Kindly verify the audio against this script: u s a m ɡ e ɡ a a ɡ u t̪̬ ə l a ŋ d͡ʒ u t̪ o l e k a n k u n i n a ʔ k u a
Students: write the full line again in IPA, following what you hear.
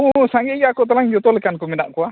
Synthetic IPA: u s a ŋ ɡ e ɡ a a k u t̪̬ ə l a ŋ d͡ʒ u t̪ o l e k a n k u m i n a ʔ k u a